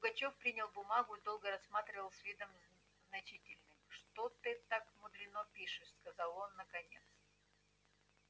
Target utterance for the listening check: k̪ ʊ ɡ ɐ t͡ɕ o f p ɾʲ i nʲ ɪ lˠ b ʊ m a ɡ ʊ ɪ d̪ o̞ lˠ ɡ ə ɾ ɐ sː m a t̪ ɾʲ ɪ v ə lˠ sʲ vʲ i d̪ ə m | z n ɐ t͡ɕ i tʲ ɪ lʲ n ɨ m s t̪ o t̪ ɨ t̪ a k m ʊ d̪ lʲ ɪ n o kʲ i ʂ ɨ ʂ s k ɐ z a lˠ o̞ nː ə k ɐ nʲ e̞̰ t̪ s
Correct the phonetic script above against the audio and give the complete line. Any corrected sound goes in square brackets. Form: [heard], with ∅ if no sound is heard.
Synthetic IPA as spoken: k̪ ʊ ɡ ɐ t͡ɕ o f p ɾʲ i nʲ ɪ lˠ b ʊ m a ɡ ʊ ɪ d̪ o̞ lˠ ɡ ə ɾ ɐ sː m a t̪ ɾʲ ɪ v ə lˠ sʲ vʲ i d̪ ə m | z n ɐ t͡ɕ i tʲ ɪ lʲ n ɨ m [ʂ] t̪ o t̪ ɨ t̪ a k m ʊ d̪ lʲ ɪ n o [pʲ] i ʂ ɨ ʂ s k ɐ z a lˠ o̞ nː ə k ɐ nʲ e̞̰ t̪ s